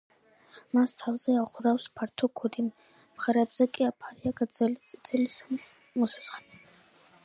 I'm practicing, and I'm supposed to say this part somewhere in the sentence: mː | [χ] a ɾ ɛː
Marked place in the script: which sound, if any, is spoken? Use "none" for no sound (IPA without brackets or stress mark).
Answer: χ